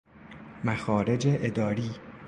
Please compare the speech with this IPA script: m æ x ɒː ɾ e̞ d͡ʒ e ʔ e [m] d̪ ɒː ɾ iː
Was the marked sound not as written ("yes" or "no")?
yes